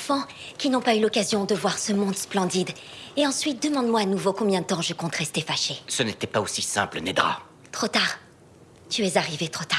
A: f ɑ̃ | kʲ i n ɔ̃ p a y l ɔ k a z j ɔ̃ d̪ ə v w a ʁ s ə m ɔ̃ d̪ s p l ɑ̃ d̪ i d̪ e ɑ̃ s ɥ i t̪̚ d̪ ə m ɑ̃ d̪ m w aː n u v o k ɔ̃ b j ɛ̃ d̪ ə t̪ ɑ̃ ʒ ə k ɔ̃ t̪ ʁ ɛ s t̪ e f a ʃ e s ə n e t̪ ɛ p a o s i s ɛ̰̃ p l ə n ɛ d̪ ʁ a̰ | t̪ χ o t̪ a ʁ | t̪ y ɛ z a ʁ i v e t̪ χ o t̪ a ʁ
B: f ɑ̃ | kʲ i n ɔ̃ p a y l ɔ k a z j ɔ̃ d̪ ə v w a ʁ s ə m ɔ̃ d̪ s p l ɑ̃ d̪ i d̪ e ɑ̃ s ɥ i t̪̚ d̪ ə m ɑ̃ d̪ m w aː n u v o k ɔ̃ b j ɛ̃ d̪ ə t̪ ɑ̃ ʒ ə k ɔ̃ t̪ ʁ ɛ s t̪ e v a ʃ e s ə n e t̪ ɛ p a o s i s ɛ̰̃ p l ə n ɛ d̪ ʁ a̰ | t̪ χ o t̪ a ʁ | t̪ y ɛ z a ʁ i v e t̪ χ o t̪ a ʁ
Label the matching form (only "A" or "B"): A